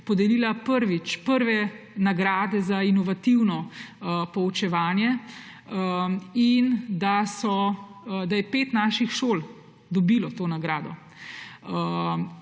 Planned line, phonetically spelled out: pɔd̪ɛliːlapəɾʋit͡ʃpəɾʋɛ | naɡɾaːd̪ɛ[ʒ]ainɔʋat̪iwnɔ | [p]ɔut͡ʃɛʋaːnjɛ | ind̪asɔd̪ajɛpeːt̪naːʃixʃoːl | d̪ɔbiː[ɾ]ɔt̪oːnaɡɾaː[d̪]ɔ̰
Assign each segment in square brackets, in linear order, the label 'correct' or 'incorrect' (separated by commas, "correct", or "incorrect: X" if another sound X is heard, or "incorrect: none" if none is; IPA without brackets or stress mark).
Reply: incorrect: z, correct, incorrect: l, correct